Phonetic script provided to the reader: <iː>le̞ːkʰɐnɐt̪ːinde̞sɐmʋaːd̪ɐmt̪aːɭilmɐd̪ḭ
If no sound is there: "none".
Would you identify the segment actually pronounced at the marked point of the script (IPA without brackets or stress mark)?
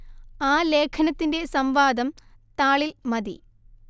aː